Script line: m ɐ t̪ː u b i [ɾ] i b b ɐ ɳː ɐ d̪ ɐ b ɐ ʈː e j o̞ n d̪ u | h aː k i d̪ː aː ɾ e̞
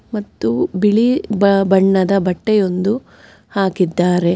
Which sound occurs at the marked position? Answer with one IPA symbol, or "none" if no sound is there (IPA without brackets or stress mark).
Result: ɭ